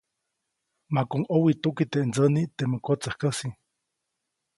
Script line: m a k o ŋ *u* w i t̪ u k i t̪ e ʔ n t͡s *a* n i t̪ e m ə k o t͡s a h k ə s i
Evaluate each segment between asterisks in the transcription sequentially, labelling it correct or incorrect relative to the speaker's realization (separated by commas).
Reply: incorrect, incorrect